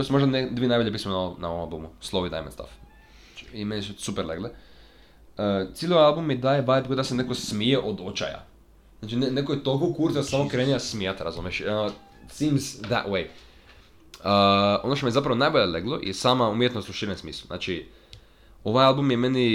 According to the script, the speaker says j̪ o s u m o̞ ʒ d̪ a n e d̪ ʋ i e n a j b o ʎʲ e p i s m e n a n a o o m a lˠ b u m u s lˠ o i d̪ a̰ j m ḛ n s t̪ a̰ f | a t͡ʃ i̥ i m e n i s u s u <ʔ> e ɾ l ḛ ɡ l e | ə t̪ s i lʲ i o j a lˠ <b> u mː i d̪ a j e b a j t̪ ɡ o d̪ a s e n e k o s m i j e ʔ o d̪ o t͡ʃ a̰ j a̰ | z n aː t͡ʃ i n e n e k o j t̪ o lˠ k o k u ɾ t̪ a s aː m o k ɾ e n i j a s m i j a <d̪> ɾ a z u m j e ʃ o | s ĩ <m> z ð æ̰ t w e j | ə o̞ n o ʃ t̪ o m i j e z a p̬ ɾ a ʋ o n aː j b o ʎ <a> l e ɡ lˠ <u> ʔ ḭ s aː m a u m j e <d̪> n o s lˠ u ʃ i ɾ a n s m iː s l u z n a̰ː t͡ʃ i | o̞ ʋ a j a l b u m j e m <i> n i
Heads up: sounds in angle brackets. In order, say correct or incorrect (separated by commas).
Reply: incorrect, correct, incorrect, correct, incorrect, incorrect, incorrect, incorrect